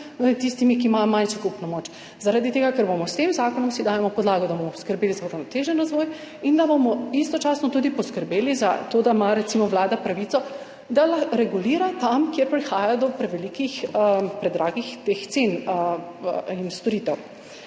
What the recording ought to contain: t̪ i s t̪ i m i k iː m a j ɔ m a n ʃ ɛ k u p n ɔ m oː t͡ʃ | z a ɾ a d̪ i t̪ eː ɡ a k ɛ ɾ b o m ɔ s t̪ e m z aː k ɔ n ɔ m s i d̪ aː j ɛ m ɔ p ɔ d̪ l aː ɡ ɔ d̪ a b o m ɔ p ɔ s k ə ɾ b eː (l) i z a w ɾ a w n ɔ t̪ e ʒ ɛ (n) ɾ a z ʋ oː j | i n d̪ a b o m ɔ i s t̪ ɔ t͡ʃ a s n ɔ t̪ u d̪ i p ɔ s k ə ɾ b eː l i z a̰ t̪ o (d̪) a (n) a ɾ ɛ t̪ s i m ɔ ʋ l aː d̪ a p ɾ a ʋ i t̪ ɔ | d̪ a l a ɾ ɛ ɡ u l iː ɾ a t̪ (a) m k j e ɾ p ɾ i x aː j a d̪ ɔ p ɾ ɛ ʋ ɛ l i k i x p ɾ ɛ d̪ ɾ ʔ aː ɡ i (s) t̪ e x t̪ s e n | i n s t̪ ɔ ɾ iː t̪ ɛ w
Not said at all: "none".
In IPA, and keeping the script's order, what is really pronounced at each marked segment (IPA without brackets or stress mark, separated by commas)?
l, n, d̪, m, a, x